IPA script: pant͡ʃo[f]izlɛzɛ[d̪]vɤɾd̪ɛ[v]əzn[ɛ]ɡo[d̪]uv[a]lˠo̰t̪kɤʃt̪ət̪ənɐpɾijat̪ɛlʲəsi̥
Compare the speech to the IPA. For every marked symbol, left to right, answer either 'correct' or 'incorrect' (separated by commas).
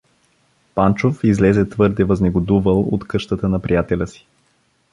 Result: correct, incorrect, correct, correct, correct, incorrect